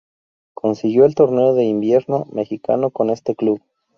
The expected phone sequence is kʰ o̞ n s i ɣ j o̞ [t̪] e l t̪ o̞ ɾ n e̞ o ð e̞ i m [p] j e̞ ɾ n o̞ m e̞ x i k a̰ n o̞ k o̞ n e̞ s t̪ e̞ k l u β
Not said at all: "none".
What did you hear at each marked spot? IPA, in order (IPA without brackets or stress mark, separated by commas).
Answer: none, b